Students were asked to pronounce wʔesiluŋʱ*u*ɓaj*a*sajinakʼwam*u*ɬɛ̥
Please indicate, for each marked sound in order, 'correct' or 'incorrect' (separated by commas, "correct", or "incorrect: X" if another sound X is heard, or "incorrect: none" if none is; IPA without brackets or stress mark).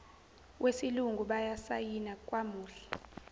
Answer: correct, correct, incorrect: uː